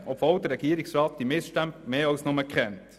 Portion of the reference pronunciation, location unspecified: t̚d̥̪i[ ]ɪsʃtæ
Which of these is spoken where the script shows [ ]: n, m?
m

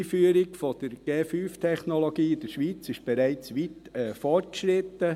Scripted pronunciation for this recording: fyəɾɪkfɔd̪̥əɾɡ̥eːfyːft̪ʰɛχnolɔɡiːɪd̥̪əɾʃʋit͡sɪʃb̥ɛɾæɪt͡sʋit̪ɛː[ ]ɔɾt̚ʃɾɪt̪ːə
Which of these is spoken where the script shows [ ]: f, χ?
f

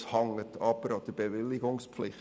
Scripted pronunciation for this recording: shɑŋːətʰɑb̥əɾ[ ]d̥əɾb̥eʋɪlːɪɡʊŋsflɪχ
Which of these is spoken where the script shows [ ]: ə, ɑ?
ɑ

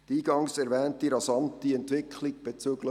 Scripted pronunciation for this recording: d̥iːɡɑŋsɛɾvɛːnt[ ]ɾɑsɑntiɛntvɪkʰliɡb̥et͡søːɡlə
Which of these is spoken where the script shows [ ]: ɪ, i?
i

